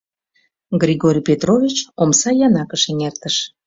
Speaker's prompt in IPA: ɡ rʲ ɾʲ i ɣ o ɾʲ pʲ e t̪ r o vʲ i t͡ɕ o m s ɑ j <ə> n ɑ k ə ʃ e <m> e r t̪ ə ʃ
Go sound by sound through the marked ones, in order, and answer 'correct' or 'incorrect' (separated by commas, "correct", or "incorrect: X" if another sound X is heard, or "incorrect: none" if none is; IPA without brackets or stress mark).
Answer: incorrect: ɑ, incorrect: ŋ